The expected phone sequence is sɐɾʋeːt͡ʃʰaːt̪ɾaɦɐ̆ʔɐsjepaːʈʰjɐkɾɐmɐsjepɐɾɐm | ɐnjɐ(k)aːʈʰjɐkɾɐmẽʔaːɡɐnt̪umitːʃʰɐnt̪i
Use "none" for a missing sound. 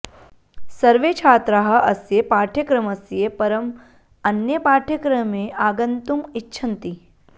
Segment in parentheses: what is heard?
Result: p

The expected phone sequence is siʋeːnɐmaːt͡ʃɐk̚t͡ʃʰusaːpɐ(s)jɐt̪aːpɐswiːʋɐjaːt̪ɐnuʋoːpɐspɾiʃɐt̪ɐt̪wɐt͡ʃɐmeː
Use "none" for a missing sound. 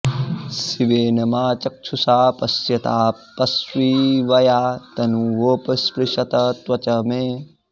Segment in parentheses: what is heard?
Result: s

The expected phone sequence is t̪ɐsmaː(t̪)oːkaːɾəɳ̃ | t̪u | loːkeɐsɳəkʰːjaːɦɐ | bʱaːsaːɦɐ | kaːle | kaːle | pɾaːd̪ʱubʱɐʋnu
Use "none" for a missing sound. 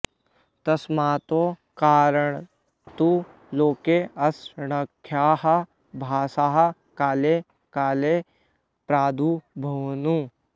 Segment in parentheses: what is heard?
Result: t̪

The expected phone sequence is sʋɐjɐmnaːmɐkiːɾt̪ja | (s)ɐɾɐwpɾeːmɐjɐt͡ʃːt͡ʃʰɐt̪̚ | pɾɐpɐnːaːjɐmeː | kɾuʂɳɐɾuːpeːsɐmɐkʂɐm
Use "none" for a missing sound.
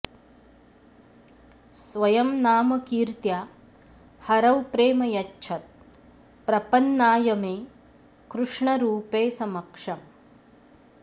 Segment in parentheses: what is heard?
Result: h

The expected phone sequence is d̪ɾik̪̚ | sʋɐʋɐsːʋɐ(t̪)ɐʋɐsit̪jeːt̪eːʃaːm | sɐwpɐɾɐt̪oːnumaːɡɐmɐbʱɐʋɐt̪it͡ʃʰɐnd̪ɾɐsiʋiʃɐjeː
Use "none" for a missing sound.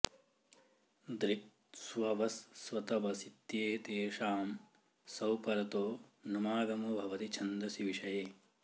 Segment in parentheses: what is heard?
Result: t̪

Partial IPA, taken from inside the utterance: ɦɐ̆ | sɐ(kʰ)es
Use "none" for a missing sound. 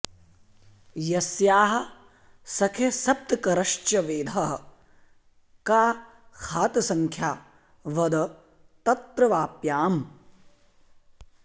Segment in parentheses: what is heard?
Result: kʰ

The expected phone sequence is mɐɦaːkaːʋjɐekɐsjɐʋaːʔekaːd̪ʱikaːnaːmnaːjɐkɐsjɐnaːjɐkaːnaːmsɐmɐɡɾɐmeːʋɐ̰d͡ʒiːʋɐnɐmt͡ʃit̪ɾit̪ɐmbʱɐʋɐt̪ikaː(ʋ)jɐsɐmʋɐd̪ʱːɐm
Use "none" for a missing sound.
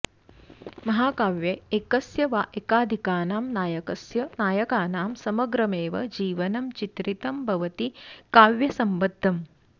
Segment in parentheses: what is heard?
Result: ʋ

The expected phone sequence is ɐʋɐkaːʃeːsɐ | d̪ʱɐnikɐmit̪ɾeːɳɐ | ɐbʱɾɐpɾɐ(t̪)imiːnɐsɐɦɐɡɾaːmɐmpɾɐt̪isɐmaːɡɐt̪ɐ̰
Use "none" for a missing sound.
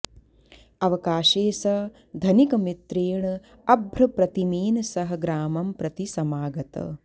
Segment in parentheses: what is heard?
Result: t̪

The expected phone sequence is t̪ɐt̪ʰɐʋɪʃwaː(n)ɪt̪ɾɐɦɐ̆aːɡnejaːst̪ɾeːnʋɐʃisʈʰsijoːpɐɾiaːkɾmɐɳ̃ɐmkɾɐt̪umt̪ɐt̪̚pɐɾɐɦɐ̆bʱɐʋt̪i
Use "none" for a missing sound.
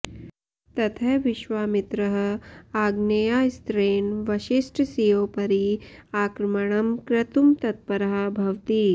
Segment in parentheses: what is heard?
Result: m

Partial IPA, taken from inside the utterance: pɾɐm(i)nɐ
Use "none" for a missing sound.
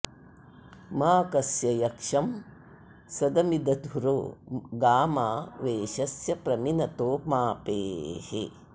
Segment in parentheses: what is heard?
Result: i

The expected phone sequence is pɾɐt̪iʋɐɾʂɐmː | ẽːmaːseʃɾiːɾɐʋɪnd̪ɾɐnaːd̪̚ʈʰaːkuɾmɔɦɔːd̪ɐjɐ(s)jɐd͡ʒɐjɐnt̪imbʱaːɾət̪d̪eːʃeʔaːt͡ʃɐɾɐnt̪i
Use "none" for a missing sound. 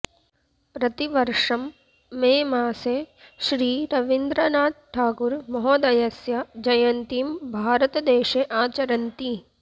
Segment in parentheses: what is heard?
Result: s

